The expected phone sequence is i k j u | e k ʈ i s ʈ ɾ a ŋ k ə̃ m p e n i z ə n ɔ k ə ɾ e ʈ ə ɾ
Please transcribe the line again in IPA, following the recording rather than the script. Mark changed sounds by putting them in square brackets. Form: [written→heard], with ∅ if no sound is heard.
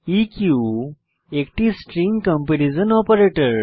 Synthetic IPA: i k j u | e k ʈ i s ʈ ɾ [a→i] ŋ k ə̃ m p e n i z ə n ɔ [k→p] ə ɾ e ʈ ə ɾ